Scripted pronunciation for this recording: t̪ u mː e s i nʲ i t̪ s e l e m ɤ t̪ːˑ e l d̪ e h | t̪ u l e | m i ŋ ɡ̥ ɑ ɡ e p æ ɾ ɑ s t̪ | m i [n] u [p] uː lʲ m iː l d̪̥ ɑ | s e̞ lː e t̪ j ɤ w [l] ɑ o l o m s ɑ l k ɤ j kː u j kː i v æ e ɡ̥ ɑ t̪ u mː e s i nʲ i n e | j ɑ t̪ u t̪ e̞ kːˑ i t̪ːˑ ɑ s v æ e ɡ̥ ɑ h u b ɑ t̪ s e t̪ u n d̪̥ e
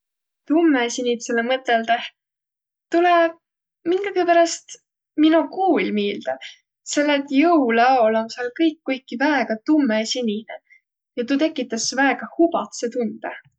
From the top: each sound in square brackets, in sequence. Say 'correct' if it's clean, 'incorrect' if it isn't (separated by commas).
correct, incorrect, correct